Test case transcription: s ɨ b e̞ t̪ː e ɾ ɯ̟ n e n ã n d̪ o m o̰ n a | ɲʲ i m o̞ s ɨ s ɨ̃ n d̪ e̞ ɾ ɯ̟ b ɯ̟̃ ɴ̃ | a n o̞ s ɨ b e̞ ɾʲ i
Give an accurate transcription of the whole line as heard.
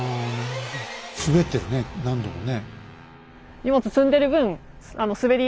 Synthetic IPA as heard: s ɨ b e̞ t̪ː e ɾ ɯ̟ n e n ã n d̪ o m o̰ n e | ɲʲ i m o̞ t͡s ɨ s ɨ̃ n d̪ e̞ ɾ ɯ̟ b ɯ̟̃ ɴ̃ | a n o̞ s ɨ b e̞ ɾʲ i